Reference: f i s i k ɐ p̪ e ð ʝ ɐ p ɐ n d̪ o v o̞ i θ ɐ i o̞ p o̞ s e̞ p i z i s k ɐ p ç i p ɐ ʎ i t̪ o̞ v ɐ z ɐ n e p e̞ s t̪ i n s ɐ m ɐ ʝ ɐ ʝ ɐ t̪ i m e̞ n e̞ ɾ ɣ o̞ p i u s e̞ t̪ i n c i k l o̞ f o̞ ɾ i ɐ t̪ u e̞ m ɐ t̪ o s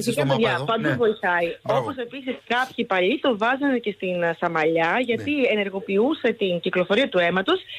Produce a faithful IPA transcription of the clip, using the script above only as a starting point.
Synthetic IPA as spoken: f i s i k ɐ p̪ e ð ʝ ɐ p ɐ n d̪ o v o̞ i θ ɐ i o̞ p o̞ s e̞ p i s i s k ɐ p ç i p ɐ ʎ i t̪ o̞ v ɐ z ɐ n e c e̞ s t̪ i n s ɐ m ɐ ʎ ɐ ʝ ɐ t̪ i e̞ n e̞ ɾ ɣ o̞ p i u s e̞ t̪ i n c i k l o̞ f o̞ ɾ i ɐ t̪ u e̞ m ɐ t̪ o s